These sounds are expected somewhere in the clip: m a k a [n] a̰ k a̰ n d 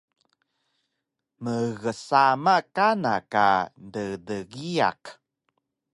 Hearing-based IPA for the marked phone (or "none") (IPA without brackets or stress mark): n